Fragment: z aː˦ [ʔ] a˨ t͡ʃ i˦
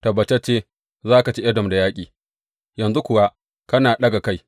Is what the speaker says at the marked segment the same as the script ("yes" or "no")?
no